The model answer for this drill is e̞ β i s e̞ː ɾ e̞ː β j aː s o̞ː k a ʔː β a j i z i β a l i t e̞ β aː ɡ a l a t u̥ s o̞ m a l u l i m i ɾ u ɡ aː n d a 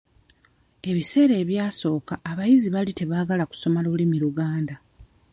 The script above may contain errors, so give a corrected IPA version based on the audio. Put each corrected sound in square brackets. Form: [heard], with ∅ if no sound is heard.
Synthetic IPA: e̞ β i s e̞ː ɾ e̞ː β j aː s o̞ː k a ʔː β a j i z i β a l i t e̞ β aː ɡ a l a [k] u̥ s o̞ m a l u l i m i ɾ u ɡ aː n d a

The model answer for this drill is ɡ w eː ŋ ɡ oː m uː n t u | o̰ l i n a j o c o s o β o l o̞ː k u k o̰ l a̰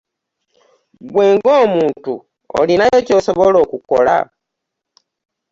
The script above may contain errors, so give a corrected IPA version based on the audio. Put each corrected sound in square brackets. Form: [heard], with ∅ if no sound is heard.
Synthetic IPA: ɡ w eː ŋ ɡ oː m uː n t u | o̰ l i n a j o c o s o β o l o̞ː k u k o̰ l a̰

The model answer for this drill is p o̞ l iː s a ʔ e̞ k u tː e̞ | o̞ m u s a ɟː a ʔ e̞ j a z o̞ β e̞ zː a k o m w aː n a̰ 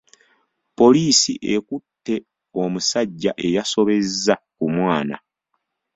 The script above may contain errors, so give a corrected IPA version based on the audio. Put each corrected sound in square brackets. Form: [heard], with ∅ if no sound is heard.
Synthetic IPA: p o̞ l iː s [i] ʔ e̞ k u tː e̞ | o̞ m u s a ɟː a ʔ e̞ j a [s] o̞ β e̞ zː a k [u] m w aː n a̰

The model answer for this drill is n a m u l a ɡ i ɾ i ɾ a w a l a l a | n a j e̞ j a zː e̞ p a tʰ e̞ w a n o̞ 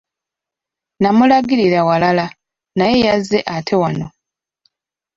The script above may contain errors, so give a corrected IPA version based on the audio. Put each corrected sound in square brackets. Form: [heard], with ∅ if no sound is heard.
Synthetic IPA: n a m u l a ɡ i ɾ i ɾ a w a l a l a | n a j e̞ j a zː e̞ [ʔ] a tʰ e̞ w a n o̞

